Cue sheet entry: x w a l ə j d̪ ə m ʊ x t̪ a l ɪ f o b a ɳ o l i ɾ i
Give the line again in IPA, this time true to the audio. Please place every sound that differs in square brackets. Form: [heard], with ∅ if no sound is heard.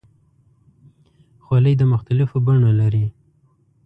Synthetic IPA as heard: x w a l ə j d̪ ə m ʊ x t̪ a l ɪ f o b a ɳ o l [a] ɾ i